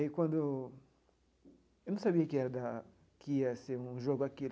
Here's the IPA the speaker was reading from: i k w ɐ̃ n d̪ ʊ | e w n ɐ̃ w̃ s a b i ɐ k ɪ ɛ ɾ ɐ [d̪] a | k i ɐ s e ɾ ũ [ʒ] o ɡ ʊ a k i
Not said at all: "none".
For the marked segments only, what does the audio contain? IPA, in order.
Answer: d̪, ʒ

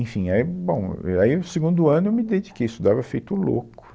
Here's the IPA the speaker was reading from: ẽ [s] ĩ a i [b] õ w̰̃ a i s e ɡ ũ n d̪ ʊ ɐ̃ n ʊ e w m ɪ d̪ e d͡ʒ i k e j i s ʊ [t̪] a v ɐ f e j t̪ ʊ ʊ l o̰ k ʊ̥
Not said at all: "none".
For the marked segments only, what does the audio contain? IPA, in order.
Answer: f, b, d̪

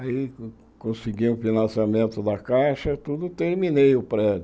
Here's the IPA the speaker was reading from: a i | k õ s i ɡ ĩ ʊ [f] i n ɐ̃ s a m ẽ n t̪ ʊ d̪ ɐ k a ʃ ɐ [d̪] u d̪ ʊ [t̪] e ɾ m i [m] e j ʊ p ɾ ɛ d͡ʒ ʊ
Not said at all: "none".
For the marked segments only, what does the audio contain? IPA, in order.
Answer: f, t̪, t̪, n

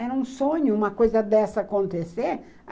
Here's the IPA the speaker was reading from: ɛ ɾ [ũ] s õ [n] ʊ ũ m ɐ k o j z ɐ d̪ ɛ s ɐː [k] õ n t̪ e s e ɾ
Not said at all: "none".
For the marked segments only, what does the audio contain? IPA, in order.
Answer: ũ, ɲ, k

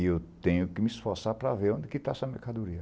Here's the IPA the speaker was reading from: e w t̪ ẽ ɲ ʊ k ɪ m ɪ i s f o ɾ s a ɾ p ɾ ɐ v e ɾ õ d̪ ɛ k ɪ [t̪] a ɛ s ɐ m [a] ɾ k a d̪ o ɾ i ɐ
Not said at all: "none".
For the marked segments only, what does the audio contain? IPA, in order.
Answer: t̪, e

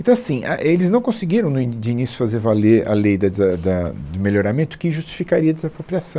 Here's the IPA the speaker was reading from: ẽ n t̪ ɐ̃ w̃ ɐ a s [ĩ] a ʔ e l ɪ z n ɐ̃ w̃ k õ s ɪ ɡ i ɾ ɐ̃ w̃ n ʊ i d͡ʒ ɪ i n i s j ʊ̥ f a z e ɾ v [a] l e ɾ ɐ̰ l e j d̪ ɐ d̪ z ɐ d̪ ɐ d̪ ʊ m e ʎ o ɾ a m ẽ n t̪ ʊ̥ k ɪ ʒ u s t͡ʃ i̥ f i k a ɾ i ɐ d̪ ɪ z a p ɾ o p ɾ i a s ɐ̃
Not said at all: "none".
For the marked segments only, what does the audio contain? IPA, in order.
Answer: ĩ, a

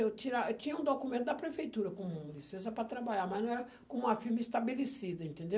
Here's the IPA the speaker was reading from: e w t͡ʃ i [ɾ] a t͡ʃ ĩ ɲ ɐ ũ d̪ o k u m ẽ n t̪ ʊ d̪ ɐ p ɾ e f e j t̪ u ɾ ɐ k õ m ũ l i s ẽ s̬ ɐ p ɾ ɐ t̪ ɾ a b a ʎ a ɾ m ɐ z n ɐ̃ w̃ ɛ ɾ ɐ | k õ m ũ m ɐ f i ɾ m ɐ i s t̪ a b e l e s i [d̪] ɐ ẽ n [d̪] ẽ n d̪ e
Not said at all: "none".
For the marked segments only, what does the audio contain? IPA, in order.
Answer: ɾ, d̪, t̪

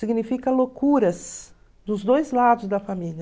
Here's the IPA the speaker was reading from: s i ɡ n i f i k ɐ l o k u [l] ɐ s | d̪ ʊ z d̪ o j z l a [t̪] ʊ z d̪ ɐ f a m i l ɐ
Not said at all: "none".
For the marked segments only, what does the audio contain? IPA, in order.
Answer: ɾ, d̪

